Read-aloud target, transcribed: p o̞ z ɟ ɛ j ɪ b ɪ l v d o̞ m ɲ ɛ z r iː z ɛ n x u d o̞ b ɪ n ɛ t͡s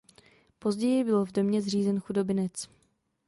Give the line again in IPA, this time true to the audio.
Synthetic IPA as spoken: p o̞ z ɟ ɛ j ɪ b ɪ l v d o̞ m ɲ ɛ z r iː z ɛ n x u d o̞ b ɪ n ɛ t͡s